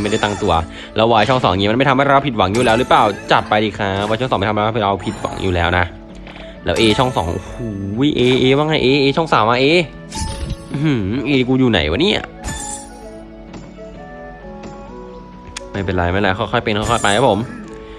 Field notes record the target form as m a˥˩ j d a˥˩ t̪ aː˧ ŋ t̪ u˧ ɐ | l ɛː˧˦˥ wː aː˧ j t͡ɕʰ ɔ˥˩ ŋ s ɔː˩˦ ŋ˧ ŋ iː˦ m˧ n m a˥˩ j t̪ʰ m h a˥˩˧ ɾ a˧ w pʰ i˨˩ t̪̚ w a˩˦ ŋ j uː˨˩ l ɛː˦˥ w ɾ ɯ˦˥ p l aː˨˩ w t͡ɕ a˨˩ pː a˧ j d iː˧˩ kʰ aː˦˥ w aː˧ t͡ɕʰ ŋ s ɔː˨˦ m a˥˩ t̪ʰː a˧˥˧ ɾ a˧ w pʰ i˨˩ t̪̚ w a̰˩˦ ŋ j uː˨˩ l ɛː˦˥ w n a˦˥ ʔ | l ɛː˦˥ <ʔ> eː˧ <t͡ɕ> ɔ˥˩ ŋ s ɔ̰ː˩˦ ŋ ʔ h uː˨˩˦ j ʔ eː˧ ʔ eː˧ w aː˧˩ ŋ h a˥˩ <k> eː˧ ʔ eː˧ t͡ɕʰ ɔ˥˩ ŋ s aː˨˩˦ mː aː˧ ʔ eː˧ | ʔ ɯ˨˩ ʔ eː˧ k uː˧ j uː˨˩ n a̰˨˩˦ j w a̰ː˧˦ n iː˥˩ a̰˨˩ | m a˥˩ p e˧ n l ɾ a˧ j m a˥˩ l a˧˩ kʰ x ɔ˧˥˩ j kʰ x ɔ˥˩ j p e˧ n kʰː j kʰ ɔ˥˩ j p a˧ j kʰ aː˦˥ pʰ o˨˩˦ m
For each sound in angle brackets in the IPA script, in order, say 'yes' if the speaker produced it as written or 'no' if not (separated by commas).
yes, no, no